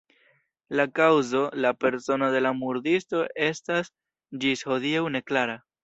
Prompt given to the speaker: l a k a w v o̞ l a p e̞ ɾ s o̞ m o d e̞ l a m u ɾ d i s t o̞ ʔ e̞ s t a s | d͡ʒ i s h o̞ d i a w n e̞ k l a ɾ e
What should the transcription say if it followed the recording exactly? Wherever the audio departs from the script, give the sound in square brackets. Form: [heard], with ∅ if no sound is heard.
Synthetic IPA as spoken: l a k a w [z] o̞ l a p e̞ ɾ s o̞ [n] o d e̞ l a m u ɾ d i s t o̞ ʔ e̞ s t a s | d͡ʒ i s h o̞ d i a w n e̞ k l a ɾ [a]